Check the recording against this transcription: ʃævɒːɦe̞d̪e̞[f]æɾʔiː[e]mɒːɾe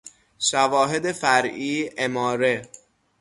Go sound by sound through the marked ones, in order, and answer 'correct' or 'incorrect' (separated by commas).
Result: correct, correct